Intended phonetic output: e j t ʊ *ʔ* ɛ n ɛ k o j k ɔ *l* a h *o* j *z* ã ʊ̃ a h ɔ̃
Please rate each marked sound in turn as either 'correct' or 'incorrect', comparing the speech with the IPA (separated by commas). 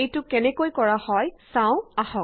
incorrect, incorrect, incorrect, incorrect